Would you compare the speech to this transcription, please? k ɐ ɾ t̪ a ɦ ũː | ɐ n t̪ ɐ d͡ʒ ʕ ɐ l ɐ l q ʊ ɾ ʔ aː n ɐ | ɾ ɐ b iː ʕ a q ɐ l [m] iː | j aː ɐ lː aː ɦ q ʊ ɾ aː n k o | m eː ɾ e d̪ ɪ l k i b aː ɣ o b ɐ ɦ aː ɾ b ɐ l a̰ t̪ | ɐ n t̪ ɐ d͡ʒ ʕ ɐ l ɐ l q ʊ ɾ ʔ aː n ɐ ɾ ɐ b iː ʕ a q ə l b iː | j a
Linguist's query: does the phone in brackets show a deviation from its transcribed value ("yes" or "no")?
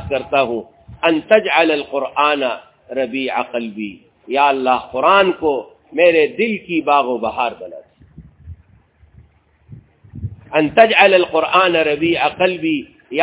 yes